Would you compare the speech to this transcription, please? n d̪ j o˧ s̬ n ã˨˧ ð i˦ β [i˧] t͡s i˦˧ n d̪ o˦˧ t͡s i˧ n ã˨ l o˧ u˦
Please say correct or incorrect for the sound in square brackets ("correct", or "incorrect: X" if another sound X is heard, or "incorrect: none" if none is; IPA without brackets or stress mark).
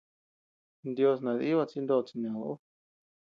incorrect: a˧